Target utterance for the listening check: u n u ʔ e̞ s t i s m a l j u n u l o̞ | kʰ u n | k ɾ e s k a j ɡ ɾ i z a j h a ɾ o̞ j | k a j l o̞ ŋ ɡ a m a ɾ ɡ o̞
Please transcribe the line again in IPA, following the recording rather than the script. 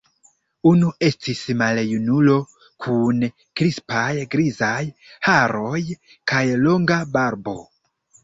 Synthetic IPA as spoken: u n u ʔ e̞ s t i s m a l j u n u l o̞ | kʰ u n | k ɾ i s p a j ɡ ɾ i z a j h a ɾ o̞ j | k a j l o̞ ŋ ɡ a b a ɾ b o̞